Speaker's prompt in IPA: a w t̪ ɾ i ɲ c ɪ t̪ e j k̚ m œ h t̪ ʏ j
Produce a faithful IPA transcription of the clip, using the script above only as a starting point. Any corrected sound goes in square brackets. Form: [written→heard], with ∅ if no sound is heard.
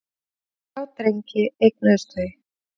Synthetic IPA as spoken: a w t̪ ɾ [i→e] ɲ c ɪ [t̪→∅] e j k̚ [m→n] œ [h→s] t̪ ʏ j